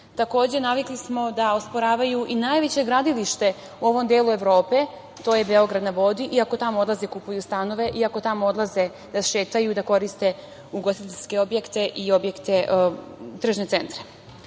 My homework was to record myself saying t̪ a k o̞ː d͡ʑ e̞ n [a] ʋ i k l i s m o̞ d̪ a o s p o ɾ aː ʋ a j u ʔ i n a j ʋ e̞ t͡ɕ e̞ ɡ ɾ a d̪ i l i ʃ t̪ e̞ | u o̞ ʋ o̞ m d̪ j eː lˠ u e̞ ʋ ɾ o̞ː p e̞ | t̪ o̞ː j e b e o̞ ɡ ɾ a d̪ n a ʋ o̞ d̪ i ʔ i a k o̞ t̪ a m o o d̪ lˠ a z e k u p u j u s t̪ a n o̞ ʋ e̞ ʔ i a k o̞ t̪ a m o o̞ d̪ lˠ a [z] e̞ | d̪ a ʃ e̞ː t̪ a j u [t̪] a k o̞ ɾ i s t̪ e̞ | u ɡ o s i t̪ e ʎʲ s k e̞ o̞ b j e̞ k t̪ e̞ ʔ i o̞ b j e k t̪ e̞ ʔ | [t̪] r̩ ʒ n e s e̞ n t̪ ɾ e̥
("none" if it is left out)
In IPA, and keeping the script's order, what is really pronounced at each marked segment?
a, z, d̪, t̪

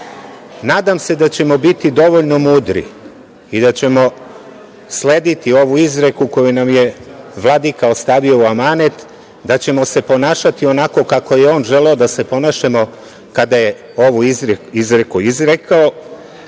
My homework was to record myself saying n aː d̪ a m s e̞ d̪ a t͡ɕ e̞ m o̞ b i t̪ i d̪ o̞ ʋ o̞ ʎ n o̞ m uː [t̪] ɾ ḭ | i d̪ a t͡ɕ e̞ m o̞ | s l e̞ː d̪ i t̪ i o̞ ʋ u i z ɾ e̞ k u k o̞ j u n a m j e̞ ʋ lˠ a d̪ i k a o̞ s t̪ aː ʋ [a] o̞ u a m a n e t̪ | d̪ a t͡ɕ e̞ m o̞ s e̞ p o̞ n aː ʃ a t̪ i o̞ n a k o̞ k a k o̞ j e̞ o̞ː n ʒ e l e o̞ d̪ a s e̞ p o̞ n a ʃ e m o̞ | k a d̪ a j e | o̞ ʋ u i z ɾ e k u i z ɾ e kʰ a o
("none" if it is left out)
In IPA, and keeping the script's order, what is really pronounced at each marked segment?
d̪, i

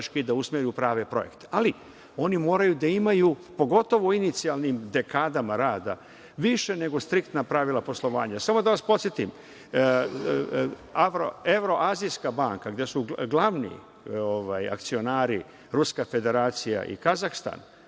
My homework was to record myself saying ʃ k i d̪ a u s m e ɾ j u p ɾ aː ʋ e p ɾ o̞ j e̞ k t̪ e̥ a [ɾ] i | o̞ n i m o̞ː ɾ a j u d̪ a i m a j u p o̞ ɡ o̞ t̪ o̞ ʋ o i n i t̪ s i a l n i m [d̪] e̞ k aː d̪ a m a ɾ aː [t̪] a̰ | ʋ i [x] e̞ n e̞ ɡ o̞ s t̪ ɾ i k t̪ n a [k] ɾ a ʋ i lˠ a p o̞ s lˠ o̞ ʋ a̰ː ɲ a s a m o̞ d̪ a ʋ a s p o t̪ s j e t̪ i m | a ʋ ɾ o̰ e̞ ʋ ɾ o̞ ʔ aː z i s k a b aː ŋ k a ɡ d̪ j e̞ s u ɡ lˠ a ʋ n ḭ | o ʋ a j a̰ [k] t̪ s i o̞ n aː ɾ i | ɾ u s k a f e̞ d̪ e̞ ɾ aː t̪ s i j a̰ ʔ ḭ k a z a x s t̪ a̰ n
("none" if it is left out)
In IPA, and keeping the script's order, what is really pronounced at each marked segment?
l, d̪, d̪, ʃ, p, k

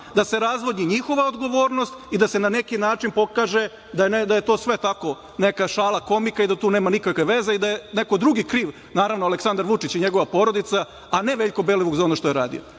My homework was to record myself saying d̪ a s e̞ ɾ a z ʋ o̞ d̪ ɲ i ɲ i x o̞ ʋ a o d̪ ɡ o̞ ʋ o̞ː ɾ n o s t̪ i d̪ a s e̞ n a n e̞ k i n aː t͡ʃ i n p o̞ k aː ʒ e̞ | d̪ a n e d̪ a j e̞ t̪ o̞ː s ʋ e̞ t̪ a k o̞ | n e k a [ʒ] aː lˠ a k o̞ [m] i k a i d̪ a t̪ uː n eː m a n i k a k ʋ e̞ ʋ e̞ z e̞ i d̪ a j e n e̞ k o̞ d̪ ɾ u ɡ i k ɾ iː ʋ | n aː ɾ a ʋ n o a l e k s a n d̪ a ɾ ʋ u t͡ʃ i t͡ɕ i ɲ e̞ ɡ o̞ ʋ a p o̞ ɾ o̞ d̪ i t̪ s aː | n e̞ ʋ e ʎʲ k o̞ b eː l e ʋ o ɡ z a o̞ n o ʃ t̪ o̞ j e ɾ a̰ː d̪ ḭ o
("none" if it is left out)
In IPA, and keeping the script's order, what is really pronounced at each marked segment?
ʃ, m

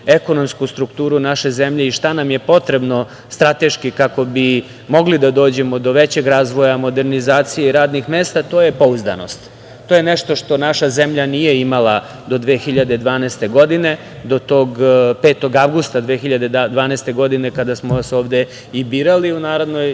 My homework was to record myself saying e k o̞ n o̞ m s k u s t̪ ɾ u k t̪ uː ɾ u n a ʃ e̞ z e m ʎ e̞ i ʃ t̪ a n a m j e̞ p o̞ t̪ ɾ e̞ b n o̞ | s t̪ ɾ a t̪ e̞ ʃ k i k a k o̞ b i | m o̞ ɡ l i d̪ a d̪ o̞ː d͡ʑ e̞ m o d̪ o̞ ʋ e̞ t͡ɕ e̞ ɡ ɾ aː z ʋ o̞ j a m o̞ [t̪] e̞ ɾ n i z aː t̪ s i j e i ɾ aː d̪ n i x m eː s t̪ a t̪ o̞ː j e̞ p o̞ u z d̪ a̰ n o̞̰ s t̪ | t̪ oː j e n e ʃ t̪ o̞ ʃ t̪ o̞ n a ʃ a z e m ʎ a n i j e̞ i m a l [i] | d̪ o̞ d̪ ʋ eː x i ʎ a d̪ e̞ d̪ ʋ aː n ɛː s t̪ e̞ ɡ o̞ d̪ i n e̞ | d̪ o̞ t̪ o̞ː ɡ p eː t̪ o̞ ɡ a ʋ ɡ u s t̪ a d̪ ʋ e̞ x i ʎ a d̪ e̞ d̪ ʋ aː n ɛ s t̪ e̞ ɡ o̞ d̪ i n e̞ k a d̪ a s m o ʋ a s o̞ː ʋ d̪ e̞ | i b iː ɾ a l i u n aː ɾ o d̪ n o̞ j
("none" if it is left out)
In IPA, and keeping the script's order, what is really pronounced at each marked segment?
d̪, a

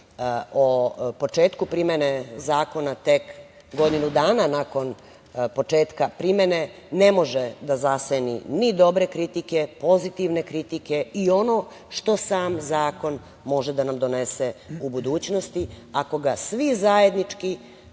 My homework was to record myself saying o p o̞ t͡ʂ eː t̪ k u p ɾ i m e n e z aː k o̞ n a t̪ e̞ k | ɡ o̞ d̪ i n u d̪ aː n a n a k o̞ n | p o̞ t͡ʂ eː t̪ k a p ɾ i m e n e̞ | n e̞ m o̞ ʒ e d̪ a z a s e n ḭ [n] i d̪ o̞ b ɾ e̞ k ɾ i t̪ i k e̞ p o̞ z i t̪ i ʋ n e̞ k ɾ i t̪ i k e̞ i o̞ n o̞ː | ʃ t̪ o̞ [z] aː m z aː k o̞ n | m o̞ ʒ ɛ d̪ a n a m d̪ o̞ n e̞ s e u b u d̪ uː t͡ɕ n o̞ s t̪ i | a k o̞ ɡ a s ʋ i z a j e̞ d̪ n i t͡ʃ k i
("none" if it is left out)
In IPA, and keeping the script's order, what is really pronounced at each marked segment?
n, s

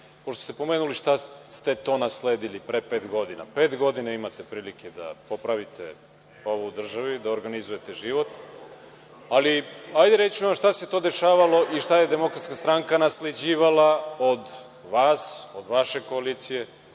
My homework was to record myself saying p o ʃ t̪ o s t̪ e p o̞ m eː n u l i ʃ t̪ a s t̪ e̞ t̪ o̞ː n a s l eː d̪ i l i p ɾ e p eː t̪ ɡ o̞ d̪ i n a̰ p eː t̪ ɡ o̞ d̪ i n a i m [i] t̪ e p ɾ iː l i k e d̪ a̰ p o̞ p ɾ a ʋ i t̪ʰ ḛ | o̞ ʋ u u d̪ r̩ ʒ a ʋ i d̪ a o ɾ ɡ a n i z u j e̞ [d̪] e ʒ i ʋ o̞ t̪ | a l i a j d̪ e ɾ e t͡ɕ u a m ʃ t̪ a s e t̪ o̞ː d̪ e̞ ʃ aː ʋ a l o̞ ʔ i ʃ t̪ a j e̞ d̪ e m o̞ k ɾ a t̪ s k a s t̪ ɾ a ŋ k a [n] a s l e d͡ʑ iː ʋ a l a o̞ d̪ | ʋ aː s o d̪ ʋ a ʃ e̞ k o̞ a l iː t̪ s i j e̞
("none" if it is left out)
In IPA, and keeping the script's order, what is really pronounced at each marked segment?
a, t̪, n

